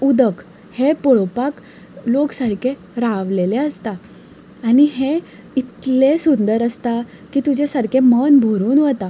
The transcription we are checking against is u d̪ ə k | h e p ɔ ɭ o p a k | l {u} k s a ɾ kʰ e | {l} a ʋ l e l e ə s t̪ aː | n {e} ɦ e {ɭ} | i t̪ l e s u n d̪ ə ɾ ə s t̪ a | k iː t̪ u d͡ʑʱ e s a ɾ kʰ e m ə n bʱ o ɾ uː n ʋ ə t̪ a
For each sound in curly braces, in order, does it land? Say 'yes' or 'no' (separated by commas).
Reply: no, no, no, no